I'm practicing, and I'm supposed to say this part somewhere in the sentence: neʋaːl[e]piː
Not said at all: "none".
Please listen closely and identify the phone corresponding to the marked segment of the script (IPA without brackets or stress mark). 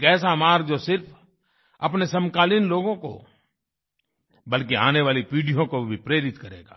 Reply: i